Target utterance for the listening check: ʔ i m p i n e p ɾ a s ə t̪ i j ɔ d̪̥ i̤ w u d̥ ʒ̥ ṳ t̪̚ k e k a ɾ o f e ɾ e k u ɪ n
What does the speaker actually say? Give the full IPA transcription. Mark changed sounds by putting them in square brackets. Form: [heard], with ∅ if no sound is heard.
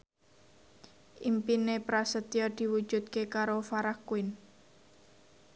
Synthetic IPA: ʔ i m p i n e p ɾ a s ə t̪ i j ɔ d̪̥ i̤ w u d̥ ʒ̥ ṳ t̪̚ k e k a ɾ o f [a] ɾ [a] k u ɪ n